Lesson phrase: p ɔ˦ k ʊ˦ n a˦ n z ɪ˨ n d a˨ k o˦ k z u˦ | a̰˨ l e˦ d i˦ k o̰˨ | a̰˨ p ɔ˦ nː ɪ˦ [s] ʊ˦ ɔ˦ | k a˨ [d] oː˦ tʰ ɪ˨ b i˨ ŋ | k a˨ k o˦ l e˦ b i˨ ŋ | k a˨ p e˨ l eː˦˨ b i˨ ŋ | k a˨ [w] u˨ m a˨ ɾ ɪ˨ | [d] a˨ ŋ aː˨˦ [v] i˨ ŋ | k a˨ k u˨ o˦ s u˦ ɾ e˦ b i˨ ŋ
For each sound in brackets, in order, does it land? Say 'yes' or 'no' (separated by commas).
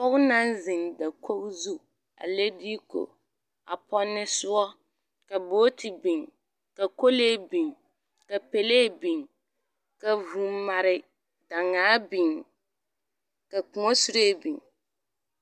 yes, no, no, yes, no